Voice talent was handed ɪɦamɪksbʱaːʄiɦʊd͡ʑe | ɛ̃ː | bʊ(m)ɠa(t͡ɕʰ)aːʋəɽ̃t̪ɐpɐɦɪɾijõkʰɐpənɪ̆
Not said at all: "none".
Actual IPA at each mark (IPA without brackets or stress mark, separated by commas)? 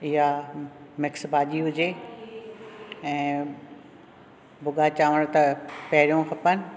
none, t͡ɕ